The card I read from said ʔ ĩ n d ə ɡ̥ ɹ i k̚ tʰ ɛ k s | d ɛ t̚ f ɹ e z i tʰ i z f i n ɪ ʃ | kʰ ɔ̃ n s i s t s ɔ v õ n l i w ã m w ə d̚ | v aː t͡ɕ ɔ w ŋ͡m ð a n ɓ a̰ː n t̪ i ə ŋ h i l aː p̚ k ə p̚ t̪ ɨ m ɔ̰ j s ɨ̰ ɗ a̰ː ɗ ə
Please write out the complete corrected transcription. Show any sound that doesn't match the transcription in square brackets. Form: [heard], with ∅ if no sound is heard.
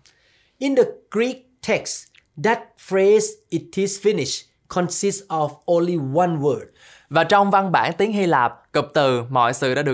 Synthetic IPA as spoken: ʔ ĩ n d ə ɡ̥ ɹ i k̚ tʰ ɛ k s | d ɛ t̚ f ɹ e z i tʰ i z f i n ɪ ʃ | kʰ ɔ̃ n s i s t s ɔ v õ n l i w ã [n] w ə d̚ | v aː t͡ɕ ɔ w ŋ͡m [v] a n ɓ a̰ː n t̪ i ə ŋ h i l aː p̚ k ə p̚ t̪ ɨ m ɔ̰ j s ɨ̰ ɗ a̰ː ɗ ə